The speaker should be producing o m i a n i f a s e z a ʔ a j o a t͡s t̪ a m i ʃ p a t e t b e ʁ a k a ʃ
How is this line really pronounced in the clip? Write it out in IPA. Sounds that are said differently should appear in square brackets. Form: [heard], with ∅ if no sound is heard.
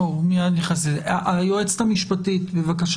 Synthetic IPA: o m i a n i [χ] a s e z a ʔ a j o [e] t͡s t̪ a m i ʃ p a t [i] t b e [v] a k a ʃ